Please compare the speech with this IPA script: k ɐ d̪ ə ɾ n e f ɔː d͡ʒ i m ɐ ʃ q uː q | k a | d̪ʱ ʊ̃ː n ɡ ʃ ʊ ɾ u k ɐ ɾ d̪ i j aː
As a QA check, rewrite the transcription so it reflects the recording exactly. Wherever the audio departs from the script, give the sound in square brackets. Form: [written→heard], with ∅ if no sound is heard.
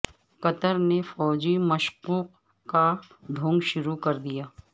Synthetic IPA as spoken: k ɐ [d̪→t̪] ə ɾ n e f ɔː d͡ʒ i m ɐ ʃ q uː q | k a | d̪ʱ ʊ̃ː [n→ŋ] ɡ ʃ ʊ ɾ u k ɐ ɾ d̪ i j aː